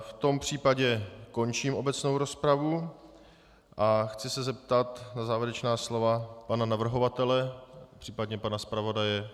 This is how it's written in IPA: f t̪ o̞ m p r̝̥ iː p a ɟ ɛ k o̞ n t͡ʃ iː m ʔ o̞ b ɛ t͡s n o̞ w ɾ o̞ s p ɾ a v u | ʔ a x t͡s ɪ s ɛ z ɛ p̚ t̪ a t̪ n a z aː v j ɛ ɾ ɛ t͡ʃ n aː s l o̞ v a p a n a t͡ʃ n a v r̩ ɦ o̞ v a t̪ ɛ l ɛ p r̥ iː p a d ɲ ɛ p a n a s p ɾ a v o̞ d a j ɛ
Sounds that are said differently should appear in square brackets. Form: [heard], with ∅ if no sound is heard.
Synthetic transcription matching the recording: f t̪ o̞ m p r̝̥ iː p a ɟ ɛ k o̞ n t͡ʃ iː m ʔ o̞ b ɛ t͡s n o̞ w ɾ o̞ s p ɾ a v u | ʔ a x t͡s ɪ s ɛ z ɛ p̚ t̪ a t̪ n a z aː v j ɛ ɾ ɛ t͡ʃ n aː s l o̞ v a p a n a [∅] n a v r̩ ɦ o̞ v a t̪ ɛ l ɛ p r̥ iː p a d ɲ ɛ p a n a s p ɾ a v o̞ d a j ɛ